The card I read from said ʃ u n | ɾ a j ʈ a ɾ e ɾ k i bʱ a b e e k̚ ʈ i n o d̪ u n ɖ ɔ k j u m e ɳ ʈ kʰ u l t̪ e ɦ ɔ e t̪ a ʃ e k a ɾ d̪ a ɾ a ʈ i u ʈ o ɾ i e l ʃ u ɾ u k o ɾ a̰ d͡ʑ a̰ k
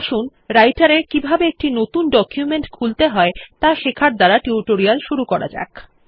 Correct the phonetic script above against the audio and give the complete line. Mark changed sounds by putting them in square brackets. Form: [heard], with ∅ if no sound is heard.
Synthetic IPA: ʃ u n | ɾ a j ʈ a ɾ e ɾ k i bʱ a b e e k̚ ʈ i n o [t̪] u n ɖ ɔ k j u m e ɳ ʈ kʰ u l t̪ e ɦ ɔ e t̪ a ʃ e [kʰ] a ɾ d̪ a ɾ a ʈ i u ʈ o ɾ i [a] l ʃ u ɾ u k [ɔ] ɾ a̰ d͡ʑ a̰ k